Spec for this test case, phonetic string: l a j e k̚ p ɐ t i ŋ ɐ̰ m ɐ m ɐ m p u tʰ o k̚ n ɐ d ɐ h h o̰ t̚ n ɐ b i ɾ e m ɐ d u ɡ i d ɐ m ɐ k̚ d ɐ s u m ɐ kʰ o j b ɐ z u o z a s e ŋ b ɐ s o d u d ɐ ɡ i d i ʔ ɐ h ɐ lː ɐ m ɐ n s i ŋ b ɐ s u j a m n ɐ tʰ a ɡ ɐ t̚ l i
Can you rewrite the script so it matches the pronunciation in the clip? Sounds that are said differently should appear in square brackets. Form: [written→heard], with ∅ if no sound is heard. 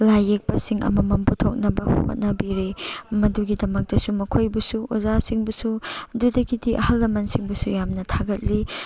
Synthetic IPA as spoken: l a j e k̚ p ɐ [t→s] i ŋ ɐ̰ m ɐ m ɐ m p u tʰ o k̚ n ɐ [d→b] ɐ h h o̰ t̚ n ɐ b i ɾ e m ɐ d u ɡ i d ɐ m ɐ k̚ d ɐ s u m ɐ kʰ o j b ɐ [z→s] u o z a s [e→i] ŋ b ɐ s [o→u] d u d ɐ ɡ i d i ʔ ɐ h ɐ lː ɐ m ɐ n s i ŋ b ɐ s u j a m n ɐ tʰ a ɡ ɐ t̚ l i